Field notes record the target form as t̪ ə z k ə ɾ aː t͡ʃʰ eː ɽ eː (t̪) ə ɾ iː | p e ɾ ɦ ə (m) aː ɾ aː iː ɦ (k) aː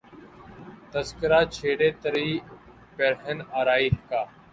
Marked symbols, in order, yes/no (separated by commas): yes, no, yes